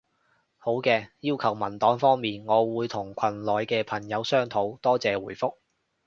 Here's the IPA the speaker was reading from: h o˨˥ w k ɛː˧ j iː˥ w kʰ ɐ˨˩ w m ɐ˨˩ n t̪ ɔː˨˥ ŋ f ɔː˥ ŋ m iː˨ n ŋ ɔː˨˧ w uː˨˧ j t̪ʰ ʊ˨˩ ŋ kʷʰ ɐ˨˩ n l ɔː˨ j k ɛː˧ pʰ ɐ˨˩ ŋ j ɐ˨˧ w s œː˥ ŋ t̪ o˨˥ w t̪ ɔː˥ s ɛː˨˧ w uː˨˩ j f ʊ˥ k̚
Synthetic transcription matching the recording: h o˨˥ w k ɛː˧ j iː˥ w kʰ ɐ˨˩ w m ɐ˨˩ n t̪ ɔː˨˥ ŋ f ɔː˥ ŋ m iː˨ n ŋ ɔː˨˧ w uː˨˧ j t̪ʰ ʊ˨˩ ŋ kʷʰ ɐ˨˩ n l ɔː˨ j k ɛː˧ pʰ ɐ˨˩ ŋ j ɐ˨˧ w s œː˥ ŋ t̪ʰ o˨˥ w t̪ ɔː˥ t͡s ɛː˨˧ w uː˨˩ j f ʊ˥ k̚